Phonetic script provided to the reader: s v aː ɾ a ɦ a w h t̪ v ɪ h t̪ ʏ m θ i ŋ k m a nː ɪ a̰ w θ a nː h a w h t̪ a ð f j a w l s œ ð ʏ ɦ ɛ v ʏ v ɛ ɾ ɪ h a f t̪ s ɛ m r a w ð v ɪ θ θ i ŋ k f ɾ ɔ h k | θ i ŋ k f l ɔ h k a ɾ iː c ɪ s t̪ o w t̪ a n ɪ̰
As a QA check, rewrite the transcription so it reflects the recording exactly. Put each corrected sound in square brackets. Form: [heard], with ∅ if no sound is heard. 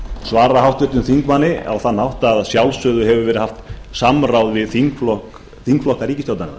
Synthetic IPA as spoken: s v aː ɾ a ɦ a w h t̪ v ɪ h t̪ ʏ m θ i ŋ k m a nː ɪ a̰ w θ a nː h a w h t̪ a ð [s] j a w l s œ ð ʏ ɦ ɛ v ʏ v ɛ ɾ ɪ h a f t̪ s [a] m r a w ð v ɪ [ð] θ i ŋ k f [l] ɔ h k | θ i ŋ k f l ɔ h k a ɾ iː c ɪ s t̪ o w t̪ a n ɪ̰